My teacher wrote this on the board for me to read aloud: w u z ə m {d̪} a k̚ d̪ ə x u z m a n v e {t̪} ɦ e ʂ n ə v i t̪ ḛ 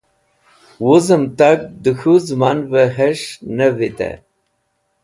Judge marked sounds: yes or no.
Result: no, no

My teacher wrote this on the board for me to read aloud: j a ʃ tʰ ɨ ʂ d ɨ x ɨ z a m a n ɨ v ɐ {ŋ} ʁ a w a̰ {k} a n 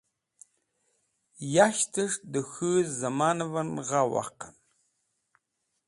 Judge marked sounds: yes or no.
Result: no, no

